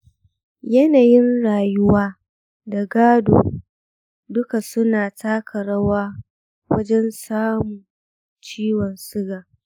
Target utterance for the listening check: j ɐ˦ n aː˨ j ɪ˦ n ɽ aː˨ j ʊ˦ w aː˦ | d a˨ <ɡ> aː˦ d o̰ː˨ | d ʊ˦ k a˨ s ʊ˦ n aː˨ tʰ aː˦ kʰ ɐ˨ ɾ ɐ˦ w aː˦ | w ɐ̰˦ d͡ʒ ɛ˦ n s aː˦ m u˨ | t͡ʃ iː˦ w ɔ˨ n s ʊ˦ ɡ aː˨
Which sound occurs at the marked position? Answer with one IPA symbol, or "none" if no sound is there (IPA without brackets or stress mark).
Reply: ɡ